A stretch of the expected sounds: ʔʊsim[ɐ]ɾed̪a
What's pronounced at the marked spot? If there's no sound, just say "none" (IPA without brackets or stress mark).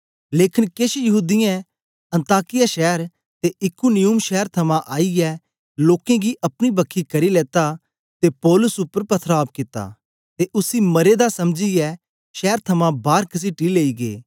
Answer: ɐ